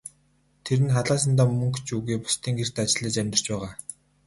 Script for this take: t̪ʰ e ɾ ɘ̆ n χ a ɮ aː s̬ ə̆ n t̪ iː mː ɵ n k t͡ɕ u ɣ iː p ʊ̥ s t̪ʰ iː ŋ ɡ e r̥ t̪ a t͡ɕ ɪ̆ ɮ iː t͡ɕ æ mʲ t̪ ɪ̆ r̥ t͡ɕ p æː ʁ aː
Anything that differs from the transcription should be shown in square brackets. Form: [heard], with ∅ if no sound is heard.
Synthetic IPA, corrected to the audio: t̪ʰ e ɾ ɘ̆ n χ a ɮ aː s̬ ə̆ n t̪ [aː] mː ɵ [ŋ] k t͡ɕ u ɣ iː p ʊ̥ s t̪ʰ iː ŋ ɡ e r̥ t̪ a t͡ɕ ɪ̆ ɮ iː t͡ɕ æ mʲ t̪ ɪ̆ r̥ t͡ɕ p æː ʁ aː

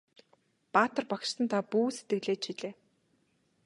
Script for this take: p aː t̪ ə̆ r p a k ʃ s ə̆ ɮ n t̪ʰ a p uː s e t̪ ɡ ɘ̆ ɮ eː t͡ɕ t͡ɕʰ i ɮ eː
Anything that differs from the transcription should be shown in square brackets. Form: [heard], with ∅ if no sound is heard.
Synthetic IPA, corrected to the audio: p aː t̪ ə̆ r p a k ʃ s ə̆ [∅] n t̪ʰ a p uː s e t̪ ɡ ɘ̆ ɮ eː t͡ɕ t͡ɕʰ i ɮ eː

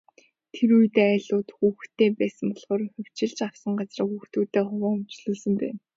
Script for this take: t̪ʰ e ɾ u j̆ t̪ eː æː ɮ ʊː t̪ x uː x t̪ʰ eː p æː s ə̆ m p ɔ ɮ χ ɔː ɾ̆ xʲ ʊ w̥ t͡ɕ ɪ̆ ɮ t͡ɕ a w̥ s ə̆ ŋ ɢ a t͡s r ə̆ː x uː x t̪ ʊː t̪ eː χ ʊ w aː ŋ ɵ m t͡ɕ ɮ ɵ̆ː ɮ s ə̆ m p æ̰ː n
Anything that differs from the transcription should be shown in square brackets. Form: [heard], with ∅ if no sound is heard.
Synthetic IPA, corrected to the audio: t̪ʰ e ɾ u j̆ t̪ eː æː ɮ ʊː t̪ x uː x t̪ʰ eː p æː s ə̆ m p ɔ ɮ χ ɔː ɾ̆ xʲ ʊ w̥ t͡ɕ ɪ̆ ɮ t͡ɕ a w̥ s ə̆ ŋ ɢ a t͡s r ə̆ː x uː x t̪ [uː] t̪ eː χ ʊ w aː ŋ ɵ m t͡ɕ ɮ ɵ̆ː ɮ s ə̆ m p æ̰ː n

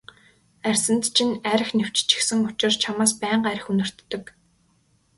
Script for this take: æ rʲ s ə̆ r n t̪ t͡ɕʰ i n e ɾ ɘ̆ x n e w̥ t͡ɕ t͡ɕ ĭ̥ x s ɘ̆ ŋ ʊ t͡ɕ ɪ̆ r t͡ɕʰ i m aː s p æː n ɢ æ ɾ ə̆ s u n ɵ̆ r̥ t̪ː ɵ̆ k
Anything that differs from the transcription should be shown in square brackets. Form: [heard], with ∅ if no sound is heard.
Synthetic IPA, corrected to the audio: æ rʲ s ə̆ [∅] n t̪ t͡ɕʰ i n [æ] ɾ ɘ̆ x n e w̥ t͡ɕ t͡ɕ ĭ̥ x s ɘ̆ ŋ ʊ t͡ɕ ɪ̆ r t͡ɕʰ [a] m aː s p æː [ɴ] ɢ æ ɾ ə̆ [x] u n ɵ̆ r̥ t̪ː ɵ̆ k

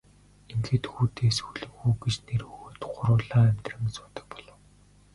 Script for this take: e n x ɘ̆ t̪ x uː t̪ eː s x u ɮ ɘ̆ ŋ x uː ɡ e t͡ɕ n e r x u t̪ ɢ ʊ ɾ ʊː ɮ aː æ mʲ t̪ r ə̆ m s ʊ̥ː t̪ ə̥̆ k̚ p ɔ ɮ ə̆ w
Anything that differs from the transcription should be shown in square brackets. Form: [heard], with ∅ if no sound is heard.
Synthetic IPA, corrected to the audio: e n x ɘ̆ t̪ x uː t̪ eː s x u ɮ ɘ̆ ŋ x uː ɡ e t͡ɕ n e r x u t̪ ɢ ʊ ɾ ʊː ɮ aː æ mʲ t̪ r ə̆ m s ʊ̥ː t̪ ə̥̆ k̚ p ɔ ɮ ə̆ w

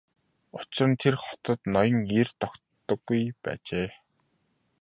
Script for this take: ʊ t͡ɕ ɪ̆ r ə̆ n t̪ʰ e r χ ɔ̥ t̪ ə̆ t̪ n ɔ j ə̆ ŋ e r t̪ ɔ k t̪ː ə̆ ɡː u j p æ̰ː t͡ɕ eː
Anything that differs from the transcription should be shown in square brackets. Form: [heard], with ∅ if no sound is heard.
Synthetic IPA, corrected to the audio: ʊ t͡ɕ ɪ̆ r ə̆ n t̪ʰ e r χ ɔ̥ t̪ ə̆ t̪ n ɔ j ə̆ ŋ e r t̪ ɔ k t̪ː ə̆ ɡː u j p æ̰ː t͡ɕ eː

